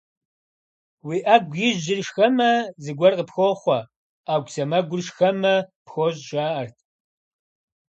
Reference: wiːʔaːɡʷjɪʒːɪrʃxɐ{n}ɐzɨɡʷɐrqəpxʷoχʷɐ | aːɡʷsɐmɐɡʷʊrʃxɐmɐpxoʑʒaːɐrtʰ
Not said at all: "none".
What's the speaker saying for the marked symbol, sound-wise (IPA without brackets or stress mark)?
m